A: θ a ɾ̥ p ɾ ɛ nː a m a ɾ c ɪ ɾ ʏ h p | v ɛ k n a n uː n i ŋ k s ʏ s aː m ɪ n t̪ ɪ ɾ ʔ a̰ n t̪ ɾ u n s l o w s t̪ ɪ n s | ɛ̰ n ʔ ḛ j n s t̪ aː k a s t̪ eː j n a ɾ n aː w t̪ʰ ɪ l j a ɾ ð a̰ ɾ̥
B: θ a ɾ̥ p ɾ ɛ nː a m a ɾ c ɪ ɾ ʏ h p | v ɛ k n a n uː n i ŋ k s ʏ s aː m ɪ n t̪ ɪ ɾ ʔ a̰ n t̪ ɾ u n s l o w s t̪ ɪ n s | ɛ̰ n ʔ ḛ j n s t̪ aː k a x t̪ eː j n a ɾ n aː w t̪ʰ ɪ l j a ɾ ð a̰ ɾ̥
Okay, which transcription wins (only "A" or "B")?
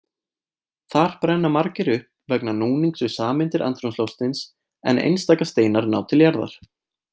A